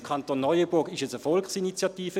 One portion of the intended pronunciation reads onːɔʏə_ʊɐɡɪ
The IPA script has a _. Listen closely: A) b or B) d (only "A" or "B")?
A